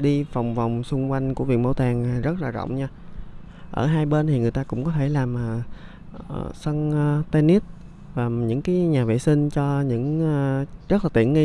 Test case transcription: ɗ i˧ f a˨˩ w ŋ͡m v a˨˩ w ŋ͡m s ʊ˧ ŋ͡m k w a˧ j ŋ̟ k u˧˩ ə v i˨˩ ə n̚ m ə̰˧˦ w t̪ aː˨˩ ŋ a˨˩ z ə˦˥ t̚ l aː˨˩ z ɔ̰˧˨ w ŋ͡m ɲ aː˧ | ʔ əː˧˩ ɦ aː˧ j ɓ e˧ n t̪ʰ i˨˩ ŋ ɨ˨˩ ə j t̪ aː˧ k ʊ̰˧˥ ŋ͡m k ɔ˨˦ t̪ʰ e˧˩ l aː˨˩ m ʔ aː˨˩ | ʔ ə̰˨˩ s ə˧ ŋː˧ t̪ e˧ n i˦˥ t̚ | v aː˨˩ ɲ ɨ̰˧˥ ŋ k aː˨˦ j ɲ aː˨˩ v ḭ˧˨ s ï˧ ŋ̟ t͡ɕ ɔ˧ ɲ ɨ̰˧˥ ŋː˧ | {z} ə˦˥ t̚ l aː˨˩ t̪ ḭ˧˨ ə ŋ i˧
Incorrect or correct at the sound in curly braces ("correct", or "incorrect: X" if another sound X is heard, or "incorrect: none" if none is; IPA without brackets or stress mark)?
correct